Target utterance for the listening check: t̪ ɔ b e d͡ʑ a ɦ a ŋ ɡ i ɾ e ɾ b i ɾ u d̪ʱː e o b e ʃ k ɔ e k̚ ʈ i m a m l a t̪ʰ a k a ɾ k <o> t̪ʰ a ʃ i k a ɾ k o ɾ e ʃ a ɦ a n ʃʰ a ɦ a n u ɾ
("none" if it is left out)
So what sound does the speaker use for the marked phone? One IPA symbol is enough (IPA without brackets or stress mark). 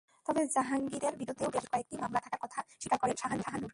ɔ